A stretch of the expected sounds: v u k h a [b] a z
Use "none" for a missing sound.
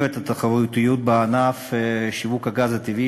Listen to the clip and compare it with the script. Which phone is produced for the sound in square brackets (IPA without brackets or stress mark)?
ɡ